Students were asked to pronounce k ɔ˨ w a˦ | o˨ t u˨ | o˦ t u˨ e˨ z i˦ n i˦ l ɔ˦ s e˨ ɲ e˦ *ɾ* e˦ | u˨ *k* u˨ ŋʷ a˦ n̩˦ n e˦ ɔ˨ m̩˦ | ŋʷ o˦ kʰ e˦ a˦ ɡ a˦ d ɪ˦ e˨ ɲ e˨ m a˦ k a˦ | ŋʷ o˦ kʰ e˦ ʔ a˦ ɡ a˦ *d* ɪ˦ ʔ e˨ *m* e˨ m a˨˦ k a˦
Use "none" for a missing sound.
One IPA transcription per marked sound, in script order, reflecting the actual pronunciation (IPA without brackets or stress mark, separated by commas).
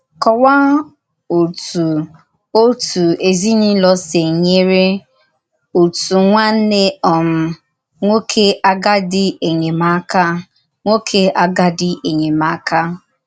ɾ, t, d, ɲ